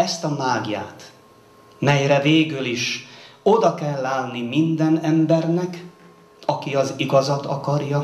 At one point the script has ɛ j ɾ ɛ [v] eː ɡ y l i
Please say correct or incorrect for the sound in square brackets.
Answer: correct